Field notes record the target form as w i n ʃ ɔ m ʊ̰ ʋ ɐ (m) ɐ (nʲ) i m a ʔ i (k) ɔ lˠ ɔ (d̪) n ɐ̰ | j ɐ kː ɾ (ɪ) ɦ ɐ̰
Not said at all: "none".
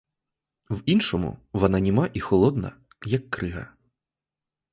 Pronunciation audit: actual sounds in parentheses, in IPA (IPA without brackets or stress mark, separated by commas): n, nʲ, x, d̪, ɪ